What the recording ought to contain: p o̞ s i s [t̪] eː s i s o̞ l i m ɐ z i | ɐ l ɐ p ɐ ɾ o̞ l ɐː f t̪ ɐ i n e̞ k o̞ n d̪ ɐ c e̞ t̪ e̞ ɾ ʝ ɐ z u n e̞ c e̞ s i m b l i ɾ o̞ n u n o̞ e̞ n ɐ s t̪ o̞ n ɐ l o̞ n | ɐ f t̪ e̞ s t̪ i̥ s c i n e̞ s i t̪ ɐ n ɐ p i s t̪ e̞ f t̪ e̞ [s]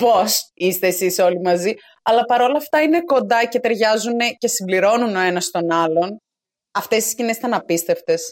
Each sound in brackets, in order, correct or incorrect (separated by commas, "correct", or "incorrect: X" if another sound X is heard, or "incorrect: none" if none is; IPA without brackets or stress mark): correct, correct